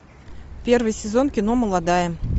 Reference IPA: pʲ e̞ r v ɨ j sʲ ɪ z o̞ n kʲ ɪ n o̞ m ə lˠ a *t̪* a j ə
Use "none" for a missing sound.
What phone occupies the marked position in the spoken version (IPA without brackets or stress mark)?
d̪